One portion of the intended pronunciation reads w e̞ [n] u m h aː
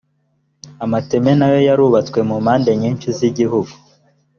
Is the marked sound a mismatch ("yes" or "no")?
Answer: yes